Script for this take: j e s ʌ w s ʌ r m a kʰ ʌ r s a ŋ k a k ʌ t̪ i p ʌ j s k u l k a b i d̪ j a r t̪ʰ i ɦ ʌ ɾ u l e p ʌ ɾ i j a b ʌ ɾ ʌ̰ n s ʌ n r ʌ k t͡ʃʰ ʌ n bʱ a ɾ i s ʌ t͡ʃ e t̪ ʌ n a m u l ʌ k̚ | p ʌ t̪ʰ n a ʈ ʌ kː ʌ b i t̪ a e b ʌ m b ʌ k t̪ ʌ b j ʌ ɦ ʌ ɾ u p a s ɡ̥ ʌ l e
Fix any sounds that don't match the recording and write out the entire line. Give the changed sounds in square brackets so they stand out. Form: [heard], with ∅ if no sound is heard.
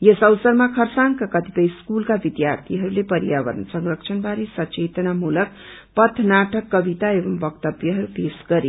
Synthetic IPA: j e s ʌ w s ʌ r m a kʰ ʌ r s a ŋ k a k ʌ t̪ i p ʌ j s k u l k a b i d̪ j a r t̪ʰ i ɦ ʌ ɾ u l e p ʌ ɾ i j a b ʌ ɾ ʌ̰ n s ʌ [ŋ] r ʌ k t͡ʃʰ ʌ n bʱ a ɾ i s ʌ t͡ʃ e t̪ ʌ n a m u l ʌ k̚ | p ʌ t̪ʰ n a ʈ ʌ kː ʌ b i t̪ a e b ʌ m b ʌ k t̪ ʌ b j ʌ ɦ ʌ ɾ u p [e] s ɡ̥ ʌ [ɾ] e